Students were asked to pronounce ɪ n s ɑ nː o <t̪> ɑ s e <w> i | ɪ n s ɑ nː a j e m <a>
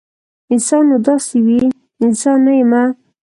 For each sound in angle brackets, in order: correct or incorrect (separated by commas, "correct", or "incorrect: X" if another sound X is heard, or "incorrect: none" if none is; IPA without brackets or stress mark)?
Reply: incorrect: d̪, correct, correct